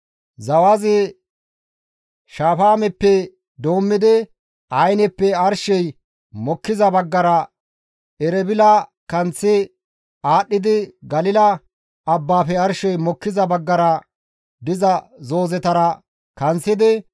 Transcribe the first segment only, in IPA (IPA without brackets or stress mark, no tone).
z